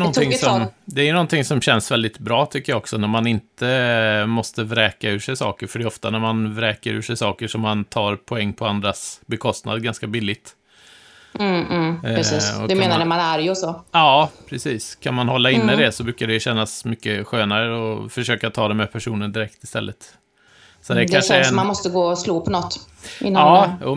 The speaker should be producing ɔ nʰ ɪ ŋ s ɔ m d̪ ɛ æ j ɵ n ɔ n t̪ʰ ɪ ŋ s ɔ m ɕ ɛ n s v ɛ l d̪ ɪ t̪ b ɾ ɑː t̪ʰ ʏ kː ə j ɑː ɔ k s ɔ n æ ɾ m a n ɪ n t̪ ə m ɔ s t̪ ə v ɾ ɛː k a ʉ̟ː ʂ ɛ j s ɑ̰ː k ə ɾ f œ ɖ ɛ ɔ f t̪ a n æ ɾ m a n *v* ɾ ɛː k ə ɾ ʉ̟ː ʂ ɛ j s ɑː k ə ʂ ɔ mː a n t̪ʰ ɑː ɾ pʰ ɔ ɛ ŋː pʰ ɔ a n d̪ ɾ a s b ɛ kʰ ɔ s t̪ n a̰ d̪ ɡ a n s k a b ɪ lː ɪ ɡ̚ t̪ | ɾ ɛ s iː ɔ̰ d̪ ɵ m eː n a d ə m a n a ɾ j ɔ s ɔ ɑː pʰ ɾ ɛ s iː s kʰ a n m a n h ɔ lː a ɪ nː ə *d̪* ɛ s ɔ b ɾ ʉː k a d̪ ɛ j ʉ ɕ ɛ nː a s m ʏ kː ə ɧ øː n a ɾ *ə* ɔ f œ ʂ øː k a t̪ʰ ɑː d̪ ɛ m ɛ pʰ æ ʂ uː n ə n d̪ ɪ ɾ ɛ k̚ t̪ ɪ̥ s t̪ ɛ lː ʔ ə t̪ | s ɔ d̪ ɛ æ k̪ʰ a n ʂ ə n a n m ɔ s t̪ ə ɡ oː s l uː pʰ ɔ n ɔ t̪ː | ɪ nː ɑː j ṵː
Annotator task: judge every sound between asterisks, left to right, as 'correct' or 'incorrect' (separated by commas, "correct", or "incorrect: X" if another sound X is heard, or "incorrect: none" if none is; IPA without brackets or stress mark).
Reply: correct, correct, correct